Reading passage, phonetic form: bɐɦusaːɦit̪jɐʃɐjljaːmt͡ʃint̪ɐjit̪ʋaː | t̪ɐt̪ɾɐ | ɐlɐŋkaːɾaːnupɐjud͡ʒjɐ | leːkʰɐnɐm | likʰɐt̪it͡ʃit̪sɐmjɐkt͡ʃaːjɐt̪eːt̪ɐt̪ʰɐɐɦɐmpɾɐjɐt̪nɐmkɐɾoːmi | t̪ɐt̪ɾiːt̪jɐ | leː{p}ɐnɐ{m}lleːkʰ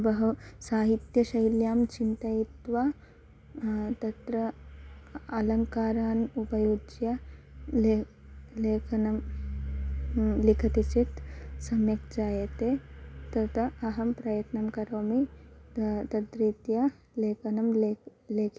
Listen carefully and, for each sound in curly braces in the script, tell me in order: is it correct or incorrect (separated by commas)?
incorrect, correct